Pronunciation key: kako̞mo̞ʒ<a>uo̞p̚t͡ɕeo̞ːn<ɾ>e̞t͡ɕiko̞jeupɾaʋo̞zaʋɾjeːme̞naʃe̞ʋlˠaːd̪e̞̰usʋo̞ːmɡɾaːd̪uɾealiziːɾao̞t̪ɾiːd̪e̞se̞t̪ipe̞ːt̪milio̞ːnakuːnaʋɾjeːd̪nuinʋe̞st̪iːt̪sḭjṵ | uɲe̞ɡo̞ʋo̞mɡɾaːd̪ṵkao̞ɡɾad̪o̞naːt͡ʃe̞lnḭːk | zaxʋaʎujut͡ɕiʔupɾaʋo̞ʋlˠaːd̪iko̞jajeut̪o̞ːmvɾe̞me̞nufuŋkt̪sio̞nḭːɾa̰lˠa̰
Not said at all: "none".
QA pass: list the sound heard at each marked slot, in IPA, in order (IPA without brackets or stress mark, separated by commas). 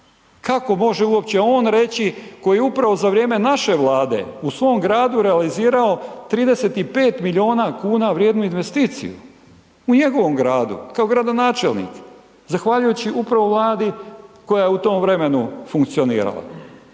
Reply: e, ɾ